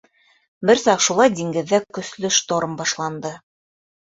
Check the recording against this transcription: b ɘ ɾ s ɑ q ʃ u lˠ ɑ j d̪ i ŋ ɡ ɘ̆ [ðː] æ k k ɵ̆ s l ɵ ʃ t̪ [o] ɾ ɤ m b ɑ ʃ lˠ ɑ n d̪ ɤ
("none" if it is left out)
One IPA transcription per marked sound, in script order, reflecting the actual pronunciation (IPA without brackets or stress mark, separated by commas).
ðː, o